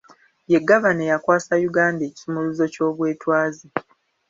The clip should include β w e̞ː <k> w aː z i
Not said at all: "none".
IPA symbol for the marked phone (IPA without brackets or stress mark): t